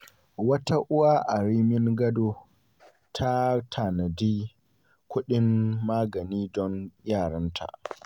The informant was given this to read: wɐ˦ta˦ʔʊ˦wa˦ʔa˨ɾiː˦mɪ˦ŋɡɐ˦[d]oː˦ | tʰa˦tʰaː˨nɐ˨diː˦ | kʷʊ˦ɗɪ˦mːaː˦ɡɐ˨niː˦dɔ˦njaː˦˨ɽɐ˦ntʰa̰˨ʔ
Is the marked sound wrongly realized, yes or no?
no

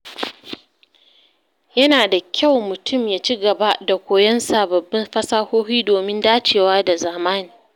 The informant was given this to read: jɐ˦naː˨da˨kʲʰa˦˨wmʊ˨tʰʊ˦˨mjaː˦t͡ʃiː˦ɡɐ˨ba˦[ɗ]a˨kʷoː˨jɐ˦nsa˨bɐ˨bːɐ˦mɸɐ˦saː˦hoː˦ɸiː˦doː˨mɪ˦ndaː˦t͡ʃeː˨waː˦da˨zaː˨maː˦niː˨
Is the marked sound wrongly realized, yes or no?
yes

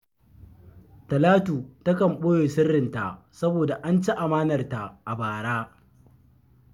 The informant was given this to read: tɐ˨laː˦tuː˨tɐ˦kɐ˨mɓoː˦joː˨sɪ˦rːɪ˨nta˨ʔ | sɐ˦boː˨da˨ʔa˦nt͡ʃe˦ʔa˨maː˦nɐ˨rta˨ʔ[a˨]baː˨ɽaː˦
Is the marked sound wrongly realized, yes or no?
no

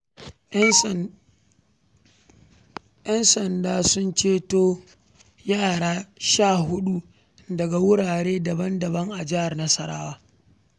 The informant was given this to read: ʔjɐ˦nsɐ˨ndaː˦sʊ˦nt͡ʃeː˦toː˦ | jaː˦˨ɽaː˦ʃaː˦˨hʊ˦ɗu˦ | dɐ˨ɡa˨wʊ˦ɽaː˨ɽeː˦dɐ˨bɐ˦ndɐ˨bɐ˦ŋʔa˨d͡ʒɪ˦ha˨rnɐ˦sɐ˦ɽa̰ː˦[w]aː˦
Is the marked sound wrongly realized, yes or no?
no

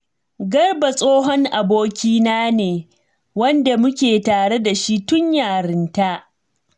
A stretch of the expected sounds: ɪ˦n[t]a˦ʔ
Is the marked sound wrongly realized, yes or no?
no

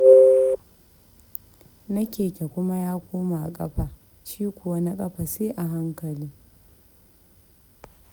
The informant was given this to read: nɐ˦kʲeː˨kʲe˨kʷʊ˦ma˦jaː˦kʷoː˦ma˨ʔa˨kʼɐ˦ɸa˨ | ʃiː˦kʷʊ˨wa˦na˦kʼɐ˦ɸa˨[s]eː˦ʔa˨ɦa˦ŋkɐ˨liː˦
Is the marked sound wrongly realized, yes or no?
no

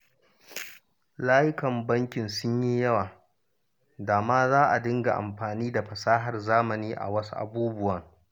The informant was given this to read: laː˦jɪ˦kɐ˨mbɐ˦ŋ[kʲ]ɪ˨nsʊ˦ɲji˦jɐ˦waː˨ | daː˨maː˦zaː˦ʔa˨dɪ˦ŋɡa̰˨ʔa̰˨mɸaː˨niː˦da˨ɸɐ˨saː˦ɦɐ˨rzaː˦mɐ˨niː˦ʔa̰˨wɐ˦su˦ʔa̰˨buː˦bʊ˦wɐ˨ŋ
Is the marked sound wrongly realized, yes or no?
no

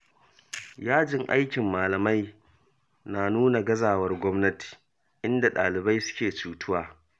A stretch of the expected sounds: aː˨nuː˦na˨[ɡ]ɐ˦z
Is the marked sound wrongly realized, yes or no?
no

